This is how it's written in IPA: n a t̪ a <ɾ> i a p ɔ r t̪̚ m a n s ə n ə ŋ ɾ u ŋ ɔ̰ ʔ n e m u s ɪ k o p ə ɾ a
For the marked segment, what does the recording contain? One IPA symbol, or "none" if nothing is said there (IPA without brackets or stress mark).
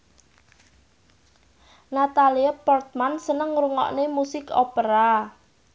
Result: l